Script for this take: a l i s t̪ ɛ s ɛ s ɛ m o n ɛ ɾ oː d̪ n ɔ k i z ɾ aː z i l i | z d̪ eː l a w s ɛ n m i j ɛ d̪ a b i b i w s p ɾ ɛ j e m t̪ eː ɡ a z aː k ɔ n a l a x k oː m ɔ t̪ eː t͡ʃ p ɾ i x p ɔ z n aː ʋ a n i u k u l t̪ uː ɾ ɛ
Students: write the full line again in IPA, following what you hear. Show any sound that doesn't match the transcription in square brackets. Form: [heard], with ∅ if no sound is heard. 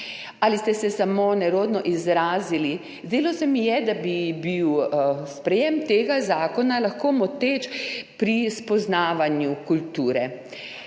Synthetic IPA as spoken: a l i s t̪ ɛ s ɛ s [a] m o n ɛ ɾ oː d̪ n ɔ [ʔ] i z ɾ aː z i l i | z d̪ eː l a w s ɛ [∅] m i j ɛ d̪ a b i b i w s p ɾ ɛ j e m t̪ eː ɡ a z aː k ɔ n a l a x k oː m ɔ t̪ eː t͡ʃ p ɾ i [s] p ɔ z n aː ʋ a n [j] u k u l t̪ uː ɾ ɛ